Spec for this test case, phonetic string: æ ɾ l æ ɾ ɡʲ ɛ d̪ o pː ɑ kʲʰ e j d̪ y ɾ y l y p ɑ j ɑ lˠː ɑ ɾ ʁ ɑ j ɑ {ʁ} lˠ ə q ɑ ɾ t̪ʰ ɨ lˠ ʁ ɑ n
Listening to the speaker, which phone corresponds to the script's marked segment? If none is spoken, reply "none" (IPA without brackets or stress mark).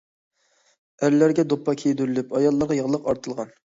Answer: ʁ